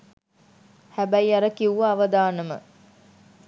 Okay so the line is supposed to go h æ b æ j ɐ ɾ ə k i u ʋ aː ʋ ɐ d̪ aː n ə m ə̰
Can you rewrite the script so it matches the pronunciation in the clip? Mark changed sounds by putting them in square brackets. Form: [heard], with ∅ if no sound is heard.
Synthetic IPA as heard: h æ b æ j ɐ ɾ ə k i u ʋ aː ʋ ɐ d̪ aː n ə m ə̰